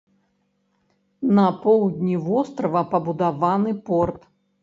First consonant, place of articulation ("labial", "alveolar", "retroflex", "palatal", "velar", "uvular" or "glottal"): alveolar